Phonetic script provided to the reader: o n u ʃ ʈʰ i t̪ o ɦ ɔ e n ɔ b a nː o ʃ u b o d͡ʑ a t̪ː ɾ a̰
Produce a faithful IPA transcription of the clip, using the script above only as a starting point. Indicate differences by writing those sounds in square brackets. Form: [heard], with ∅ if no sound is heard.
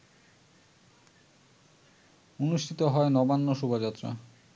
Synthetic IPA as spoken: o n u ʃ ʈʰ i t̪ o ɦ ɔ e n ɔ b a nː o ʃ u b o d͡ʑ a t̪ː ɾ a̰